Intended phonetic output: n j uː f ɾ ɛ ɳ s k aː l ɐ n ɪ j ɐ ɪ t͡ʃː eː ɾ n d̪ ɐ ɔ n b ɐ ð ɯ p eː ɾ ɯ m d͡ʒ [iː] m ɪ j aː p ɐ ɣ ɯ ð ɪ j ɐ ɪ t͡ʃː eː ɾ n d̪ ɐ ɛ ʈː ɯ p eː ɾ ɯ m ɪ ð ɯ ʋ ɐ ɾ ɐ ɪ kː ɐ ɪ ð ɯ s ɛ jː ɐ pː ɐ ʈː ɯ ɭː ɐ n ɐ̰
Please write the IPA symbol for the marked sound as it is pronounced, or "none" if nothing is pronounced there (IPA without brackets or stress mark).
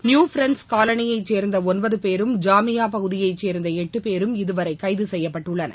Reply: aː